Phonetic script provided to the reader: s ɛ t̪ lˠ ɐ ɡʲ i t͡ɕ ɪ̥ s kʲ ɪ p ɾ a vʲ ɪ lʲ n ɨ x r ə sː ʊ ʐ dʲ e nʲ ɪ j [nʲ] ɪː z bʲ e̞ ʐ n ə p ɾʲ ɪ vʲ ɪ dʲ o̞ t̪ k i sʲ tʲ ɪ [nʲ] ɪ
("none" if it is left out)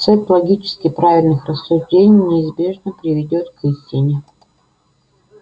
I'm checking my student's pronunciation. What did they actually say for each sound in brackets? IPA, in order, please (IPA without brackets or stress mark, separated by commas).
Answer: nʲ, nʲ